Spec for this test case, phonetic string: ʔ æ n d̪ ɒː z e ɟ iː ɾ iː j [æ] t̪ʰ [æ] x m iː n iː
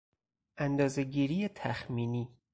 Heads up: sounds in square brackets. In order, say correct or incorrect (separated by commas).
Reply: incorrect, correct